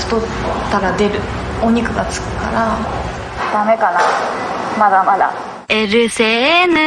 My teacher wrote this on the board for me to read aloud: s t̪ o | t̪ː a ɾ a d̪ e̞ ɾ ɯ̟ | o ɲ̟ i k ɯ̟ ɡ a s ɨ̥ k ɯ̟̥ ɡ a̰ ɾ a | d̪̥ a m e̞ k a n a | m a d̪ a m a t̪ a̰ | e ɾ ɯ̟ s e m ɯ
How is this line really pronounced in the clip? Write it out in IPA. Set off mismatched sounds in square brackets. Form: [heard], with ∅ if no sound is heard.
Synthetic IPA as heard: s t̪ o | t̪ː a ɾ a d̪ e̞ ɾ ɯ̟ | o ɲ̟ i k ɯ̟ ɡ a [t͡s] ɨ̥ k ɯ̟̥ [k] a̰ ɾ a | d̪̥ a m e̞ k a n a | m a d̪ a m a [d̪] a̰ | e ɾ ɯ̟ s e [n] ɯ

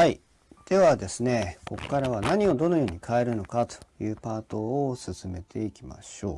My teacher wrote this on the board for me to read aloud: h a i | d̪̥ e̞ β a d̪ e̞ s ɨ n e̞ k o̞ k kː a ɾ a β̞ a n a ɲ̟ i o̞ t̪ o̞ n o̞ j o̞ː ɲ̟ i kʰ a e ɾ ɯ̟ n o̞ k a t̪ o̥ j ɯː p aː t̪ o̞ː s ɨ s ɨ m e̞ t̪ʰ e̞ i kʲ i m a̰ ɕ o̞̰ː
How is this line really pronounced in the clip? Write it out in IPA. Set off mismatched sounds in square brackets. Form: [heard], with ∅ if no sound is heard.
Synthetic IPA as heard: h a i | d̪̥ e̞ β a d̪ e̞ s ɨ n e̞ k o̞ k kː a ɾ a β̞ a n a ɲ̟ i o̞ [d̪] o̞ n o̞ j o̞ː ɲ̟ i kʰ a e ɾ ɯ̟ n o̞ k a t̪ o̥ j ɯː p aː t̪ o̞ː s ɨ s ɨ m e̞ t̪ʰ e̞ i kʲ i m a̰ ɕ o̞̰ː

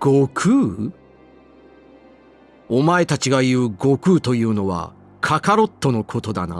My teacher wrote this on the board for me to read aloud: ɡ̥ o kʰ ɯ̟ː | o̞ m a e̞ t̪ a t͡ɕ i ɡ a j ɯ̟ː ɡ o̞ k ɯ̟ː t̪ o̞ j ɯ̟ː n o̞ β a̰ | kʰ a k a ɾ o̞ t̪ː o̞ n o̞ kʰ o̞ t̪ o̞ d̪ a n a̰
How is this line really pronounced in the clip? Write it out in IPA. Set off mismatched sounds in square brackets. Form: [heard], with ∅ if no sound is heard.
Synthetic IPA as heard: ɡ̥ o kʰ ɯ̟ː | o̞ m a e̞ t̪ a t͡ɕ i ɡ a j ɯ̟ː ɡ o̞ k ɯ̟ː t̪ o̞ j ɯ̟ː n o̞ β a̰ | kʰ a k a ɾ o̞ t̪ː o̞ n o̞ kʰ o̞ t̪ o̞ d̪ a n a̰

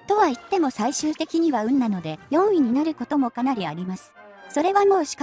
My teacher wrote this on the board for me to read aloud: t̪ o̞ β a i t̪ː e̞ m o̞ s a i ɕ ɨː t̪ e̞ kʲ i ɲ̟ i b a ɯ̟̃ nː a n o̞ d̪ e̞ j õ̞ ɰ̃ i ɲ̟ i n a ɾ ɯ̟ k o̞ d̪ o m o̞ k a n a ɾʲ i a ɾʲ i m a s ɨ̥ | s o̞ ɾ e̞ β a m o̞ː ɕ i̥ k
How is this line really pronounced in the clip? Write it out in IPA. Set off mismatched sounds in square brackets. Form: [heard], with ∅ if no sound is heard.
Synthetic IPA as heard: t̪ o̞ β a i t̪ː e̞ m o̞ s a i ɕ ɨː t̪ e̞ kʲ i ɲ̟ i [β] a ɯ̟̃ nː a n o̞ d̪ e̞ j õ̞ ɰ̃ i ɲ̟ i n a ɾ ɯ̟ k o̞ [t̪] o m o̞ k a n a ɾʲ i a ɾʲ i m a s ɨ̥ | s o̞ ɾ e̞ β a m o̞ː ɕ i̥ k

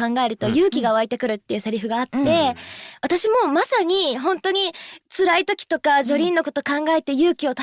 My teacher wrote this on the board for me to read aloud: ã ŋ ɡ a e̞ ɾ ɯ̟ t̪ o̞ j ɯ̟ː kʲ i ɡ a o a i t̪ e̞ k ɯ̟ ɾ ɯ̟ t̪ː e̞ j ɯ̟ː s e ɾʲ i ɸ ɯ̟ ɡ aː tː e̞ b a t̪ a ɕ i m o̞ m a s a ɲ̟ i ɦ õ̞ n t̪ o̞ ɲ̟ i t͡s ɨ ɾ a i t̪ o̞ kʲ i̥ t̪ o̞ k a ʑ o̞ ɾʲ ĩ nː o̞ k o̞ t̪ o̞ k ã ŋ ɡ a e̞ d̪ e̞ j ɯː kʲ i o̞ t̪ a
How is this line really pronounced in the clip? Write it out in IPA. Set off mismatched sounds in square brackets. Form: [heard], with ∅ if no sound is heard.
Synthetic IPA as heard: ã ŋ ɡ a e̞ ɾ ɯ̟ t̪ o̞ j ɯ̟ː kʲ i ɡ a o a i t̪ e̞ k ɯ̟ ɾ ɯ̟ t̪ː e̞ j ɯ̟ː s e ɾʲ i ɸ ɯ̟ ɡ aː tː e̞ [β] a t̪ a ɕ i m o̞ m a s a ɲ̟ i ɦ õ̞ n t̪ o̞ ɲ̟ i t͡s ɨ ɾ a i t̪ o̞ kʲ i̥ t̪ o̞ k a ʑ o̞ ɾʲ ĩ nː o̞ k o̞ t̪ o̞ k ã ŋ ɡ a e̞ [t̪] e̞ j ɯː kʲ i o̞ t̪ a

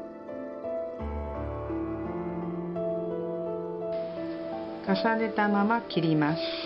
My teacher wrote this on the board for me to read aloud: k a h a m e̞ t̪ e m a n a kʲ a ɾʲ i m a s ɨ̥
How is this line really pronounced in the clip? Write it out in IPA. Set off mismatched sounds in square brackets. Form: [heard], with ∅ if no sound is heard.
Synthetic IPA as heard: k a [s] a [n] e̞ t̪ [a] m a [m] a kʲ [i] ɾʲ i m a s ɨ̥

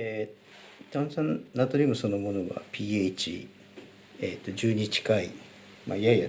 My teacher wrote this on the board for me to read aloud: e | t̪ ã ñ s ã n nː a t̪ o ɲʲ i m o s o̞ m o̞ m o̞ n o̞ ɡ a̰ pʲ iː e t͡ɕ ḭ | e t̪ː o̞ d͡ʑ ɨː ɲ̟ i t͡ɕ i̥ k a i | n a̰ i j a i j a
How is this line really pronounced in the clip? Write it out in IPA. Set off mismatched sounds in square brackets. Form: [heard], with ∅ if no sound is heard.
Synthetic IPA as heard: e | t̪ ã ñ s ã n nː a t̪ o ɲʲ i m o s o̞ [n] o̞ m o̞ n o̞ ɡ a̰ pʲ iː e t͡ɕ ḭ | e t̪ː o̞ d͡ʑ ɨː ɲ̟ i t͡ɕ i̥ k a i | [m] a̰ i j a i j a

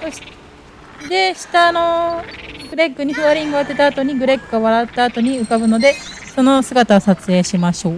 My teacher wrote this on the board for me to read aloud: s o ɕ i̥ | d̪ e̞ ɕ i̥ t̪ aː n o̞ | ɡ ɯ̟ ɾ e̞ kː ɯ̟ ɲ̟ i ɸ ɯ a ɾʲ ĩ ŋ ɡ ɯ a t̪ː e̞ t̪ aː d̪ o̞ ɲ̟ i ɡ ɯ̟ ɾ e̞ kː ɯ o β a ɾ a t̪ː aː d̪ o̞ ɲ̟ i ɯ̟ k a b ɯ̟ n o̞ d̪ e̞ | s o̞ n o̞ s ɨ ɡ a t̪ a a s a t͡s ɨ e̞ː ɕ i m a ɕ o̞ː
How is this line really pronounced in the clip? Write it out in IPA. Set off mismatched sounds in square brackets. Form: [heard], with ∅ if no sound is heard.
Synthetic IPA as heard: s o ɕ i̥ | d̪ e̞ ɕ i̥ t̪ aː n o̞ | ɡ ɯ̟ ɾ e̞ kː ɯ̟ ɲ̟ i ɸ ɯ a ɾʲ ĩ ŋ ɡ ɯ a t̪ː e̞ t̪ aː [t̪] o̞ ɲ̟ i ɡ ɯ̟ ɾ e̞ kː ɯ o β a ɾ a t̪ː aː [t̪] o̞ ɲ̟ i ɯ̟ k a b ɯ̟ n o̞ d̪ e̞ | s o̞ n o̞ s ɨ ɡ a t̪ a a s a t͡s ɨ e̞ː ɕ i m a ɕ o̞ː

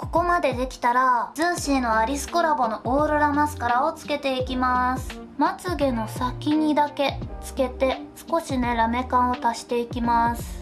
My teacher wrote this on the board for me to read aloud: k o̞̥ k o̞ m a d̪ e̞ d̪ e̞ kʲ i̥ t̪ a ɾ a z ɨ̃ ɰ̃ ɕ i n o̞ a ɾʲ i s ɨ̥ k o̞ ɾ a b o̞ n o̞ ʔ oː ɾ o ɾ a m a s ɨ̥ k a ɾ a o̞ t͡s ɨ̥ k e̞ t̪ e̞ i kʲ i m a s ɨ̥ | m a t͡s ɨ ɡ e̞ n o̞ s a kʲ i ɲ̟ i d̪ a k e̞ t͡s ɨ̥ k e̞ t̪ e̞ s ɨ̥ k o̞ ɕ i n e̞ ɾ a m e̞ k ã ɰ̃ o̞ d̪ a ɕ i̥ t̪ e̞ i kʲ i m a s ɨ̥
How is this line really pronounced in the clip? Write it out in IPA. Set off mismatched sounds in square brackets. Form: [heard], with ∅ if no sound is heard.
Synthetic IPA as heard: k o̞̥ k o̞ m a d̪ e̞ d̪ e̞ kʲ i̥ t̪ a ɾ a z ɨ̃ ɰ̃ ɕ i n o̞ a ɾʲ i s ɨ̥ k o̞ ɾ a b o̞ n o̞ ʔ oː ɾ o ɾ a m a s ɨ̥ k a ɾ a o̞ t͡s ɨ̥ k e̞ t̪ e̞ i kʲ i m a s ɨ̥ | m a t͡s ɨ ɡ e̞ n o̞ s a kʲ i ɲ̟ i d̪ a k e̞ t͡s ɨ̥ k e̞ t̪ e̞ s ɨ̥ k o̞ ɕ i n e̞ ɾ a m e̞ k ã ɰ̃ o̞ [t̪] a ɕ i̥ t̪ e̞ i kʲ i m a s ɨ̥

